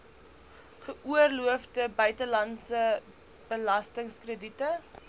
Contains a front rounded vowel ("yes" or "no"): yes